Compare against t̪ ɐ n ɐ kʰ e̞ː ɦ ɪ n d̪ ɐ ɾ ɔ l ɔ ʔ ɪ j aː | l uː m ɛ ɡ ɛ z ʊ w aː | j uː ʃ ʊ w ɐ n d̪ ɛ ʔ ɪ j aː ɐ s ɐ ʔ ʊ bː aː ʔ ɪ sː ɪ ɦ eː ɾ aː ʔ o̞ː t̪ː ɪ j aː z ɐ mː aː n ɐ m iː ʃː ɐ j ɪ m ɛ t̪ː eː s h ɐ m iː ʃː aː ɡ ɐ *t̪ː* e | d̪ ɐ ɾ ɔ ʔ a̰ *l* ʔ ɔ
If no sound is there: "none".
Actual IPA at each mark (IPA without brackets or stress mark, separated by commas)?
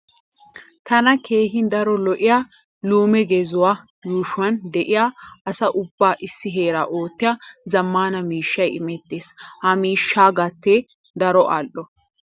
t̪ː, l